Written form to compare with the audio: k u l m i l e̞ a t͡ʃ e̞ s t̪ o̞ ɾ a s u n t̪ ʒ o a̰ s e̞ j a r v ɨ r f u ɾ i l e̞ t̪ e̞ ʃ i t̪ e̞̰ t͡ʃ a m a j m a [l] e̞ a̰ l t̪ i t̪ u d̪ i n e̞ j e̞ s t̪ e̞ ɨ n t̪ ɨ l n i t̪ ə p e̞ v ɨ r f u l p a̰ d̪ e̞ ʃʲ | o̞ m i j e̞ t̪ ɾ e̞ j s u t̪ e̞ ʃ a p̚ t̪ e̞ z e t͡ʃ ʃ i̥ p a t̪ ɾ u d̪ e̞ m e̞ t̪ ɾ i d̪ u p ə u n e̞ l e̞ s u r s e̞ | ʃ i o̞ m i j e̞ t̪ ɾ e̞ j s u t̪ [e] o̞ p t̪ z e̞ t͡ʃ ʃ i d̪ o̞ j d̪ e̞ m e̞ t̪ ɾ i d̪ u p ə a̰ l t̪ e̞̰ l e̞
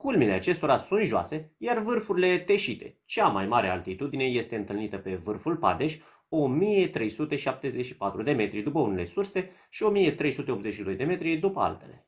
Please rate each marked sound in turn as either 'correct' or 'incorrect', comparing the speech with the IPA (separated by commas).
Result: incorrect, correct